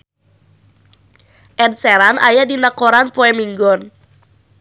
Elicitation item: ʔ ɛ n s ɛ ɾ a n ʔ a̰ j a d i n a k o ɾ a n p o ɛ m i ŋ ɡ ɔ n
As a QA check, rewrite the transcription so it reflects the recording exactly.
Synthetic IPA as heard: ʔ ɛ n s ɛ ɾ a n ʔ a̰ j a d i n a k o ɾ a n p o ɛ m i ŋ ɡ ɔ n

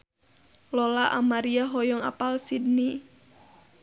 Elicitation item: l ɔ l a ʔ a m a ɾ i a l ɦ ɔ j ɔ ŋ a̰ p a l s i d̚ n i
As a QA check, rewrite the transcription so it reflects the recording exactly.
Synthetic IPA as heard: l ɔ l a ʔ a m a ɾ i a ɦ ɔ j ɔ ŋ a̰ p a l s i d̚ n i

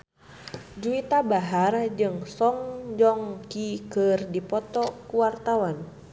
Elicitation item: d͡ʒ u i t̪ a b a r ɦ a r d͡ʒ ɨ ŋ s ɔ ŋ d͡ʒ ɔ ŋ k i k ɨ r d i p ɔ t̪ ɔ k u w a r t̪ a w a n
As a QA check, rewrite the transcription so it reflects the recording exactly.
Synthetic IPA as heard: d͡ʒ u i t̪ a b a ɦ a r d͡ʒ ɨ ŋ s ɔ ŋ d͡ʒ ɔ ŋ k i k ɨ r d i p ɔ t̪ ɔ k u w a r t̪ a w a n

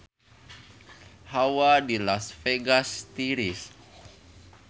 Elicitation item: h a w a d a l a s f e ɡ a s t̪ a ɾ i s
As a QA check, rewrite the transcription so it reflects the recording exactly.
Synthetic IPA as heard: h a w a d i l a s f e ɡ a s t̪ i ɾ i s

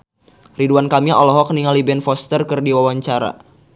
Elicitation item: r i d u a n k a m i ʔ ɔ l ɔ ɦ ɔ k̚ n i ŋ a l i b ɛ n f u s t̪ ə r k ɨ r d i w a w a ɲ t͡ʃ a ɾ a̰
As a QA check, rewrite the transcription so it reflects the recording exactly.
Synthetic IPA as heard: r i d u a n k a m i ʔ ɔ l ɔ ɦ ɔ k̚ n i ŋ a l i b ɛ n f ɔ s t̪ ə r k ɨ r d i w a w a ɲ t͡ʃ a ɾ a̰

